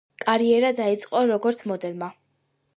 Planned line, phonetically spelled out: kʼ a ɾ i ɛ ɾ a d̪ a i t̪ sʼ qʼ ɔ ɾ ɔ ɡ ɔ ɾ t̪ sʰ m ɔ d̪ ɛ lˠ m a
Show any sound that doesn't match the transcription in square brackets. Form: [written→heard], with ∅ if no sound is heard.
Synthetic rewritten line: kʼ a ɾ i ɛ ɾ a d̪ a i t̪ sʼ qʼ ɔ ɾ ɔ ɡ ɔ ɾ t̪ sʰ m ɔ d̪ ɛ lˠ m a